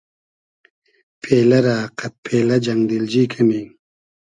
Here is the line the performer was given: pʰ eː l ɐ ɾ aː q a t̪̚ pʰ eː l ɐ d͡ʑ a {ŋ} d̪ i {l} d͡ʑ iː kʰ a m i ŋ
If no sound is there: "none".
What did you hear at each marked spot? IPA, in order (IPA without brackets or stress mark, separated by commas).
ŋ, l